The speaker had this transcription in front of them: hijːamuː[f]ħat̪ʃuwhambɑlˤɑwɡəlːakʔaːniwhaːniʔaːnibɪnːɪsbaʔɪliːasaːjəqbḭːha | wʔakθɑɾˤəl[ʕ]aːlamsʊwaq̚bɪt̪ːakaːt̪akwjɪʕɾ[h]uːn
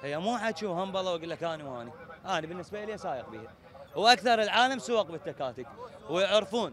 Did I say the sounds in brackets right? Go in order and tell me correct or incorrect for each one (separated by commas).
incorrect, correct, incorrect